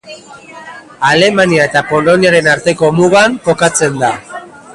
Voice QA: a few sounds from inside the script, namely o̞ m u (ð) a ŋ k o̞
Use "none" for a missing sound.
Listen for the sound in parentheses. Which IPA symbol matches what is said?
ɣ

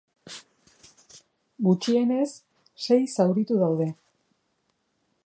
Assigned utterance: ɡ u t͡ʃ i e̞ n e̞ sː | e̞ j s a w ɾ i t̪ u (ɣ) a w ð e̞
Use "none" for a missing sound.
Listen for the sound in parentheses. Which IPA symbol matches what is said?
ð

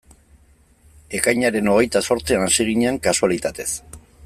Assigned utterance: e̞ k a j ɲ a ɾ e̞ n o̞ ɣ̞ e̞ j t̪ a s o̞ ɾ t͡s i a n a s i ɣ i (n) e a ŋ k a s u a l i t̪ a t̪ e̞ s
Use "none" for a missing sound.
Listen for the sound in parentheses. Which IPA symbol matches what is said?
ɲ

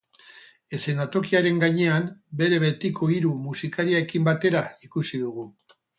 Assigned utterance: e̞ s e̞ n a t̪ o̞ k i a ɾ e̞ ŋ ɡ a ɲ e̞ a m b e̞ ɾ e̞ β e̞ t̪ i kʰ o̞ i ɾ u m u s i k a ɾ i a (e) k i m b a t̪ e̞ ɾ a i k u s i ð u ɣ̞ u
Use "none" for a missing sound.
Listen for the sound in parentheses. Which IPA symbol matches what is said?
e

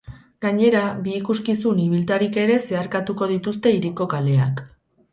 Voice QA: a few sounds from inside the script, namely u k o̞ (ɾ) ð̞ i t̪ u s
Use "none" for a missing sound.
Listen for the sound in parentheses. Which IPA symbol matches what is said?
none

